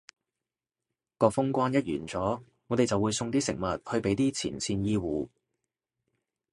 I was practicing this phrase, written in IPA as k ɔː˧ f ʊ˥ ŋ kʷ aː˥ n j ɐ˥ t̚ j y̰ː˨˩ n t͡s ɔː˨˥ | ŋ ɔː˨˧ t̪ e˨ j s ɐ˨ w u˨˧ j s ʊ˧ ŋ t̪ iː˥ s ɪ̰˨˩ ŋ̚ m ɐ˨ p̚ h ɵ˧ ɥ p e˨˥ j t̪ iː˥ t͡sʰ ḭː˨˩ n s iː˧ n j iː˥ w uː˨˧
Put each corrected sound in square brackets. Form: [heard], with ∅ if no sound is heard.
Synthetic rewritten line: k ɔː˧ f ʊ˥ ŋ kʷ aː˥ n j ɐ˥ t̚ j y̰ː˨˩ n t͡s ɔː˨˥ | ŋ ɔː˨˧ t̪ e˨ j [t͡s] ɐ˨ w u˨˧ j s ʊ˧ ŋ t̪ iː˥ s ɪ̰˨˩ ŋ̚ m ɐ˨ [t̚] h ɵ˧ ɥ p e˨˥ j t̪ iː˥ t͡sʰ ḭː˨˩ n s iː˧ n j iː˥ w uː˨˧

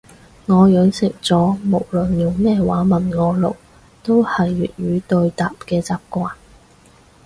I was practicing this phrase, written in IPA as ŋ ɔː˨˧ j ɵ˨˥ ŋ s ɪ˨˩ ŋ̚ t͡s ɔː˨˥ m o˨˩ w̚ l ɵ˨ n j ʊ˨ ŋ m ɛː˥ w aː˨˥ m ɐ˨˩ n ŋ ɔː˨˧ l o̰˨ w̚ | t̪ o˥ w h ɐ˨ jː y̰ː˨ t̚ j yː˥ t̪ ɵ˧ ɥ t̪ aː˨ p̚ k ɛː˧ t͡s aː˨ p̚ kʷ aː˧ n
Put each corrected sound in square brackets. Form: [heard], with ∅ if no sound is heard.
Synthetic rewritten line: ŋ ɔː˨˧ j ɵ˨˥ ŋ s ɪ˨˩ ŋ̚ t͡s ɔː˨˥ m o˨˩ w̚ l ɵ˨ n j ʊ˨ ŋ m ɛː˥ w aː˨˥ m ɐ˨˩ n ŋ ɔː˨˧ l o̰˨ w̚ | t̪ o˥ w h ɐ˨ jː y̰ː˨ t̚ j [yː˨˧] t̪ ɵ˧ ɥ t̪ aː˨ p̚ k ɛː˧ t͡s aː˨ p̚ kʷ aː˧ n

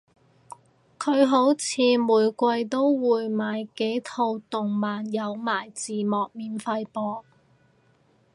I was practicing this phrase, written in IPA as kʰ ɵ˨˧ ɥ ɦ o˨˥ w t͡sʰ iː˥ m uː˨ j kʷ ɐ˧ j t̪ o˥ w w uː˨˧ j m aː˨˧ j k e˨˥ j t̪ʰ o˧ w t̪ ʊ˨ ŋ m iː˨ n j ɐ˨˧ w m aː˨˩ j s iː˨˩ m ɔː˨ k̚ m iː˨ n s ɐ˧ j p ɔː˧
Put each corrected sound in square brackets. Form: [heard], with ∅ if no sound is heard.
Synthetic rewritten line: kʰ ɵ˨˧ ɥ ɦ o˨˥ w t͡sʰ [iː˨˧] m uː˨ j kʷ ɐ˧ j t̪ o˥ w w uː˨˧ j m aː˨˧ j k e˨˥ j t̪ʰ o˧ w t̪ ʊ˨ ŋ m [aː˨] n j ɐ˨˧ w m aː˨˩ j [t͡s] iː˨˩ m ɔː˨ k̚ m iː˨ n [f] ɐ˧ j p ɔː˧

